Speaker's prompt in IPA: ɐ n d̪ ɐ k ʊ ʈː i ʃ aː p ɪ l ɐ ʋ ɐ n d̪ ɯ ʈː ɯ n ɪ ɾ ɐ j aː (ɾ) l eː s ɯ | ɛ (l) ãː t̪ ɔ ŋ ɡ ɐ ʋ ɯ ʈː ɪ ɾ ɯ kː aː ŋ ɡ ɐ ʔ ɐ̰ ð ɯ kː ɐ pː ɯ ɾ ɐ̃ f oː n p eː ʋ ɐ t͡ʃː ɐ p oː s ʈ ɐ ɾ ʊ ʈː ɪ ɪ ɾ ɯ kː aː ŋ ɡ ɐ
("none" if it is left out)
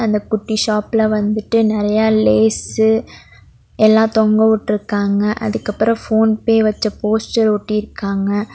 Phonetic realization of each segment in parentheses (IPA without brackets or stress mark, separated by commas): none, lː